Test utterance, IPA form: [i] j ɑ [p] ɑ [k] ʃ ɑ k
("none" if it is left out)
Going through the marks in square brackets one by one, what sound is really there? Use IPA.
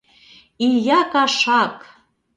i, k, none

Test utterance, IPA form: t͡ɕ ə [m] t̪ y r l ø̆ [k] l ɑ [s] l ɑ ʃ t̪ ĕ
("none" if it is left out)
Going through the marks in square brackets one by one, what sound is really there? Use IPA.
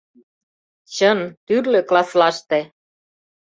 n, k, s

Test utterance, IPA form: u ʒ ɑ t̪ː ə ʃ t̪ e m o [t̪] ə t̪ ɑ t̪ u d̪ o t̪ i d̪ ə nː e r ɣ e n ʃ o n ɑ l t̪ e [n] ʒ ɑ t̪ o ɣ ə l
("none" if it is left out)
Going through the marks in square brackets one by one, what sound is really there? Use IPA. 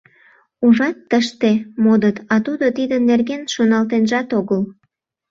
d̪, n

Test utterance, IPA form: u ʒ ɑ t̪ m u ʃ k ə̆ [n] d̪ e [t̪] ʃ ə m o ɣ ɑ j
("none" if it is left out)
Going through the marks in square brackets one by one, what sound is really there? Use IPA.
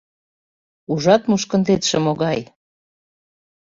n, t̪

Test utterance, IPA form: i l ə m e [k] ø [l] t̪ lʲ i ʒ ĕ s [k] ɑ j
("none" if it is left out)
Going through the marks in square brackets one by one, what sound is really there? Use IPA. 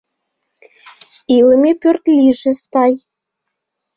p, r, p

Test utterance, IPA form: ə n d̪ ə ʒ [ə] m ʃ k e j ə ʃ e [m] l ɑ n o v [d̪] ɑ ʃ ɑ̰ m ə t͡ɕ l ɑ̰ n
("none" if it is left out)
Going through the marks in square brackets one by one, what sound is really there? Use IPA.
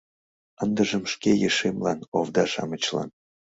ə, m, d̪

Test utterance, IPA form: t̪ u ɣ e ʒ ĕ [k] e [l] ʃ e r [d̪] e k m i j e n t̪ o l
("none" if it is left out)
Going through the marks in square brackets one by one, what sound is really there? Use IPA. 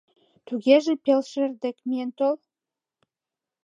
p, l, d̪

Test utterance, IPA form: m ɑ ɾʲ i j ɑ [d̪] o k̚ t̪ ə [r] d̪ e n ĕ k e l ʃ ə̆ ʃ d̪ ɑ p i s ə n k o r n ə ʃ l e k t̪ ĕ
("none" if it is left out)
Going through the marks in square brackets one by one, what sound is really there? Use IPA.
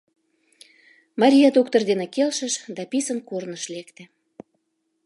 d̪, r

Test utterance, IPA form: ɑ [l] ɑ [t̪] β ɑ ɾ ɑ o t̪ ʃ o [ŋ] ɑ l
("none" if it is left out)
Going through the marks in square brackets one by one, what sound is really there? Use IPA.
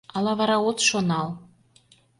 l, none, n

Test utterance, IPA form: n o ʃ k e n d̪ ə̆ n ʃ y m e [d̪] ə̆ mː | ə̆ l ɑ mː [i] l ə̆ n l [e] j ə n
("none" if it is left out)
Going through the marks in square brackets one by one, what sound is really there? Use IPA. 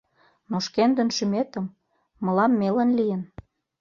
t̪, e, i

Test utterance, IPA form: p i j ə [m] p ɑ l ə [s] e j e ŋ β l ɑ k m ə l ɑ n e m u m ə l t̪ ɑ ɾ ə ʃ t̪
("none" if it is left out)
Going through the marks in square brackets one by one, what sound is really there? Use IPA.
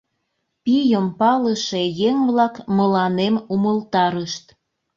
m, ʃ

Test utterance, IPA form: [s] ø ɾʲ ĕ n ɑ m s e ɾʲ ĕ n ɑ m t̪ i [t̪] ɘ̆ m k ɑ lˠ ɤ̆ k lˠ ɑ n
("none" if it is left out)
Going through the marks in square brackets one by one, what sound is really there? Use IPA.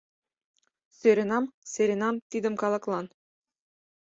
s, d̪

